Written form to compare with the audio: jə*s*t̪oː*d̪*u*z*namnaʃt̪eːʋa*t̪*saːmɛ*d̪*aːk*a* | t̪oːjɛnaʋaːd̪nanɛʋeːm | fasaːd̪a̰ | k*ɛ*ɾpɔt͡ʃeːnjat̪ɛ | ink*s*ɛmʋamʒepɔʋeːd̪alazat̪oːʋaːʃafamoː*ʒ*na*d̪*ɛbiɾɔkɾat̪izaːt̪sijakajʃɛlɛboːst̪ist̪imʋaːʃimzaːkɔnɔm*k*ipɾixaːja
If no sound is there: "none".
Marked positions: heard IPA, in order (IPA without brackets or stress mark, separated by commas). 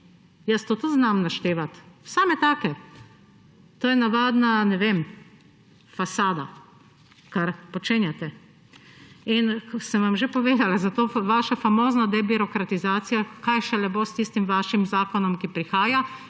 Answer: s, t̪, z, t̪, t̪, ɛ, a, s, z, d̪, k